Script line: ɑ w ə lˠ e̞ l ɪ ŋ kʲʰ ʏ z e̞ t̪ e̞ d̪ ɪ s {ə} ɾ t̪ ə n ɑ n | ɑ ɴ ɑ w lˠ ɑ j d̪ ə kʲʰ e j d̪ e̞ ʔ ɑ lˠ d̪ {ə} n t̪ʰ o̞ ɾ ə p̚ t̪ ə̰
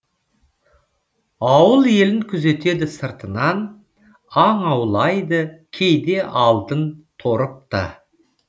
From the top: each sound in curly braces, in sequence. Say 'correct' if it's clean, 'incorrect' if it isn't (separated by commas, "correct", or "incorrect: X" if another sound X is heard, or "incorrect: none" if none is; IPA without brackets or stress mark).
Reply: correct, correct